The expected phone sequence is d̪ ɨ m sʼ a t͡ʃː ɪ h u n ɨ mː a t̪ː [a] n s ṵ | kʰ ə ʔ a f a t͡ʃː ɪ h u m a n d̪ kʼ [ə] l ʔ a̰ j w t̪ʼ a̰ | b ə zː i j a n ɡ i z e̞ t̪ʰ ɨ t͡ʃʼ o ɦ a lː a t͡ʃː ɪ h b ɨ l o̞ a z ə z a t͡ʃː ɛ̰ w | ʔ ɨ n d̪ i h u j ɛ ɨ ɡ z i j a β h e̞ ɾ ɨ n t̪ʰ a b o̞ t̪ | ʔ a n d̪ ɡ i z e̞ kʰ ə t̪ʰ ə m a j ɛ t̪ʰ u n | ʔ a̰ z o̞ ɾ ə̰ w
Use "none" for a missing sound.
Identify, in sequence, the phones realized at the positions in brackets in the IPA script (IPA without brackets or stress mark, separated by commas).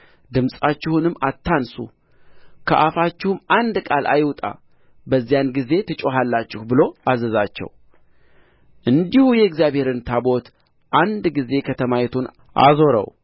a, a